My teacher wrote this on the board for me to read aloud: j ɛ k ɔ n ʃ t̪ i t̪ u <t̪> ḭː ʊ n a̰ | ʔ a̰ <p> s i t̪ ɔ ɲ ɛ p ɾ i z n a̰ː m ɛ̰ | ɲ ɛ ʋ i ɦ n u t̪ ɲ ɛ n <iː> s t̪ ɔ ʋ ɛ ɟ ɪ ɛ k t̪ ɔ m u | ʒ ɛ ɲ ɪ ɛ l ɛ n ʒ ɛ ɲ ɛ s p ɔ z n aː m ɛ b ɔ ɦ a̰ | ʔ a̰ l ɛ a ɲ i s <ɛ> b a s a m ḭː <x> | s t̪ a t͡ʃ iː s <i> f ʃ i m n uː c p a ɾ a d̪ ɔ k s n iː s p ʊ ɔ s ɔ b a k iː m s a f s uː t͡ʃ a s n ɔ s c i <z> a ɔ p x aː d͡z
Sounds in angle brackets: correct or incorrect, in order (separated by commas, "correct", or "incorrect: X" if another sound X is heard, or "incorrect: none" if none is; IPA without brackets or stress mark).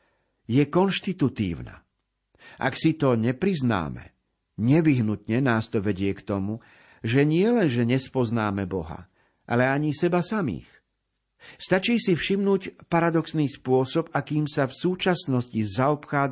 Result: correct, incorrect: k, incorrect: aː, correct, correct, correct, correct